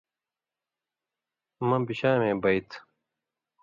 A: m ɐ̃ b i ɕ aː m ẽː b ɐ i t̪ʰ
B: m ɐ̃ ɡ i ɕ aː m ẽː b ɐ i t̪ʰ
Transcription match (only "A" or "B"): A